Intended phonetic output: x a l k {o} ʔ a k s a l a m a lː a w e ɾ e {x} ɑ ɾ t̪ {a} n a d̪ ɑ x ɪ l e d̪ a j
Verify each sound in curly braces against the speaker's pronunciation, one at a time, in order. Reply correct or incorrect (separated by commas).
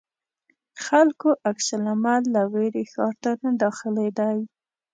correct, correct, correct